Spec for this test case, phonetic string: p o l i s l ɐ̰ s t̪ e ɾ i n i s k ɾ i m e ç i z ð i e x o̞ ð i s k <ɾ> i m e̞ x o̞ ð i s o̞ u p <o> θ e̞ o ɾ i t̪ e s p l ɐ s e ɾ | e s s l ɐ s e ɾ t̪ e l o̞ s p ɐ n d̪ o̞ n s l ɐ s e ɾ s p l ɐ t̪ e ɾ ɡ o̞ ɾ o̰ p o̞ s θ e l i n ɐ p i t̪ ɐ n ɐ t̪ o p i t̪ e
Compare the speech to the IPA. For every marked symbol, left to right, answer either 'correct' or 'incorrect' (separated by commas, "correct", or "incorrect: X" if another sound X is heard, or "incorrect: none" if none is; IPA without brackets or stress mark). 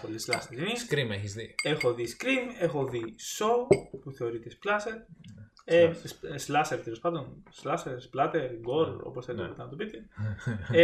correct, incorrect: u